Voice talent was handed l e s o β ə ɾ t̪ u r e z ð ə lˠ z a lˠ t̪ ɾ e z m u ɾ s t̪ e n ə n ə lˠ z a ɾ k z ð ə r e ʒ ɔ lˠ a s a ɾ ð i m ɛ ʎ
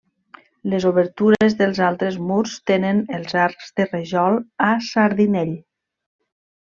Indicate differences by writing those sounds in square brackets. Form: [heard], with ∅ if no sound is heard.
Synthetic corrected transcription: l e [z] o β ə ɾ t̪ u [ɾ] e z ð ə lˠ z a lˠ t̪ ɾ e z m u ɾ s t̪ e n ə n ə lˠ z a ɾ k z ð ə r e ʒ ɔ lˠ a s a ɾ ð i [n] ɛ ʎ